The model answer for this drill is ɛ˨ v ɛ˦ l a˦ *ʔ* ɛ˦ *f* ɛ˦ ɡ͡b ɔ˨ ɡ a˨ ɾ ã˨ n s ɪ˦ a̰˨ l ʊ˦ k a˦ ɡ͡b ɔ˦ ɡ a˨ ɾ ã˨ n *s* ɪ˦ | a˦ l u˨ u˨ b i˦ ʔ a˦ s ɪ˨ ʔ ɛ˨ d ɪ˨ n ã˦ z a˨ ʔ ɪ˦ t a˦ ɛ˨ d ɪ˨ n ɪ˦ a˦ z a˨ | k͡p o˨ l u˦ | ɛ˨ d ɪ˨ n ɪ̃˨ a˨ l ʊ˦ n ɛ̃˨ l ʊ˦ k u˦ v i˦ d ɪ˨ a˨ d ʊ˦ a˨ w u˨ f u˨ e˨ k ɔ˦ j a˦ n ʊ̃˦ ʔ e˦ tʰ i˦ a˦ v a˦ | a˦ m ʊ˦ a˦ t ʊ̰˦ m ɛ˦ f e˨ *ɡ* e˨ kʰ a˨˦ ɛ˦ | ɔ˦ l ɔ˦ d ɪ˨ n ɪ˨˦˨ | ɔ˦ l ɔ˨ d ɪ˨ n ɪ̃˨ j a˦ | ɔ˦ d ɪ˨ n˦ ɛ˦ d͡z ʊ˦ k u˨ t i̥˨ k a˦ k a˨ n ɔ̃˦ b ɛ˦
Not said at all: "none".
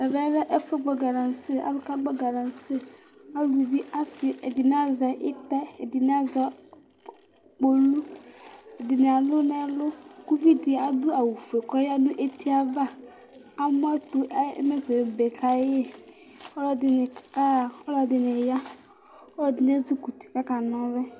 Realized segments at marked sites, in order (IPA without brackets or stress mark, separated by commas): ʔ, f, s, b